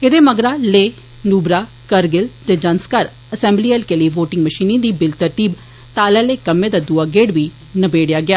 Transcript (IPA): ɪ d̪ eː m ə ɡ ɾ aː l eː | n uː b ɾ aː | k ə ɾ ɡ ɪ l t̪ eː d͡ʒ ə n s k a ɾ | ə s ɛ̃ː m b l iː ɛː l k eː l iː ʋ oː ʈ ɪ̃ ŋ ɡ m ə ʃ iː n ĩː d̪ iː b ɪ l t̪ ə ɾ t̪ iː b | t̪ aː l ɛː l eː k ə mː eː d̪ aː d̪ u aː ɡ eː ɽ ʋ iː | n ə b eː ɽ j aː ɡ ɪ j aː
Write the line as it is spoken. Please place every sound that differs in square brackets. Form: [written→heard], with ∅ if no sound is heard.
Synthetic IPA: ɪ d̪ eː m ə ɡ ɾ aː l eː | n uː b ɾ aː | k ə ɾ ɡ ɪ l t̪ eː d͡ʒ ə n s k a ɾ | ə s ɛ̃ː m b l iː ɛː l k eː l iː ʋ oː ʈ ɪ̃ ŋ ɡ m ə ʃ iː n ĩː d̪ iː b ɪ l t̪ ə ɾ t̪ iː b | t̪ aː l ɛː l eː k ə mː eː d̪ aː d̪ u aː ɡ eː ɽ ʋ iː | n ə b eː ɽ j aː ɡ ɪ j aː